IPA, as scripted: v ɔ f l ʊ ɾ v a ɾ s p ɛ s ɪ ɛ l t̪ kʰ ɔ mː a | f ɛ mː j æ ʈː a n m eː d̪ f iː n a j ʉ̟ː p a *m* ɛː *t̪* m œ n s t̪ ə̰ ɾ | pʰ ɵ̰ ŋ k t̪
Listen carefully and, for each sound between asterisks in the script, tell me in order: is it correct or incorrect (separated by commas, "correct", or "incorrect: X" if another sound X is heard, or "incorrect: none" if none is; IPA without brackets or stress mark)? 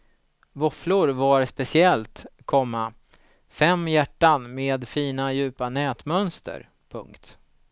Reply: incorrect: n, correct